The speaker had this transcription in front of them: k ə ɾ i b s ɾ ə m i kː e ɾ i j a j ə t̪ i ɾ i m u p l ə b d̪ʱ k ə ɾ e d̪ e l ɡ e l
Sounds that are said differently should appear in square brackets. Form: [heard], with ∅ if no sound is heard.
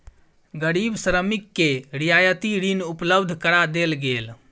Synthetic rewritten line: [ɡ] ə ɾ i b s ɾ ə m i kː e ɾ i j a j ə t̪ i ɾ i [n] u p l ə b d̪ʱ k ə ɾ [a] d̪ e l ɡ e l